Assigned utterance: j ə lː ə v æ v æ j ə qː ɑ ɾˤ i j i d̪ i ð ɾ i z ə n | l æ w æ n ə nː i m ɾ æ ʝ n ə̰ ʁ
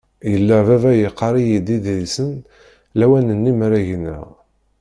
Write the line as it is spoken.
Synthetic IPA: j ə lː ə v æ v æ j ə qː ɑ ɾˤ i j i d̪ i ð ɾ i s ə n | l æ w æ n ə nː i m ɾ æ ʝ n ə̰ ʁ